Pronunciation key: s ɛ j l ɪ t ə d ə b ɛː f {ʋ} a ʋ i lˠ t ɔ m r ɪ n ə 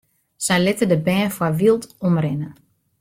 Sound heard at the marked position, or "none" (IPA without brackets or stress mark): w